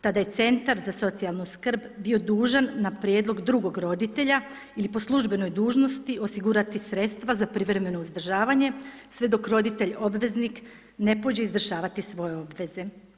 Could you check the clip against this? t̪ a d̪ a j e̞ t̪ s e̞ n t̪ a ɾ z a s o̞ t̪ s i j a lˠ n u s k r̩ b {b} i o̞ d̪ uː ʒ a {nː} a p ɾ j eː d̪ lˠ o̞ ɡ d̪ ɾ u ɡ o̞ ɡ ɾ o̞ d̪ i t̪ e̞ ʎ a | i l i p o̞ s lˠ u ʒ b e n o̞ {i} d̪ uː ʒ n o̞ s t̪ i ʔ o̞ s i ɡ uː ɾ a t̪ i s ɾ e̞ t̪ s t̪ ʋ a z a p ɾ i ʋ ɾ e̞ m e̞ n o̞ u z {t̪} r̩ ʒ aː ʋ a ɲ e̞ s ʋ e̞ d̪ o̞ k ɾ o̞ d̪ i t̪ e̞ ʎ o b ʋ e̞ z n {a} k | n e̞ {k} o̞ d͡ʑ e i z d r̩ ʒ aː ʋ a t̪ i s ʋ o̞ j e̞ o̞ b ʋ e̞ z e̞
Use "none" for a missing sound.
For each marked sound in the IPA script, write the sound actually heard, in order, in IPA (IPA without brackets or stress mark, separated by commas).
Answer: b, nː, j, d̪, i, p